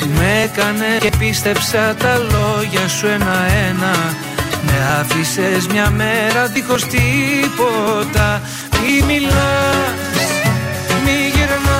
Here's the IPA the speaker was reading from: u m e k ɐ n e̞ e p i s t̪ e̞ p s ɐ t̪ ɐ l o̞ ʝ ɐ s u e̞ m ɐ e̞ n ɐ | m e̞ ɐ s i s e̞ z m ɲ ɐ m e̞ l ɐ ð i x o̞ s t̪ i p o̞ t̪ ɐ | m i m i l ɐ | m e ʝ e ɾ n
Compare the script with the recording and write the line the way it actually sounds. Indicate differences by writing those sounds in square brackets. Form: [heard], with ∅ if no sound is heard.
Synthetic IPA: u m e k ɐ n e̞ e p i s t̪ e̞ p s ɐ t̪ ɐ l o̞ ʝ ɐ s u e̞ [n] ɐ e̞ n ɐ | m e̞ ɐ [f] i s e̞ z m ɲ ɐ m e̞ [ɾ] ɐ ð i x o̞ s t̪ i p o̞ t̪ ɐ | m i m i l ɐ | m [i] ʝ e ɾ n